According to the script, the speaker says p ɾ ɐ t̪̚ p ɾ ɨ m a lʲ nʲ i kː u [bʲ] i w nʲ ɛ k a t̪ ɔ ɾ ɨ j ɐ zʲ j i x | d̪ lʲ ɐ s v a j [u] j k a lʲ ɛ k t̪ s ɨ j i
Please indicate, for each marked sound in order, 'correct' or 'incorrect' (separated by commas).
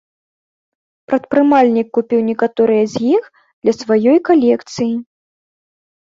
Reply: incorrect, incorrect